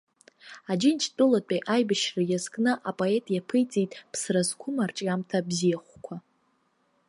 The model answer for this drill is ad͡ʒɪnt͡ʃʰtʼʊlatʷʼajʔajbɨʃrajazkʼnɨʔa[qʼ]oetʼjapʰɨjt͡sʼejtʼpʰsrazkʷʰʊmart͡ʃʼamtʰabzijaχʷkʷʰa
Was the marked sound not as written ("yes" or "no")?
yes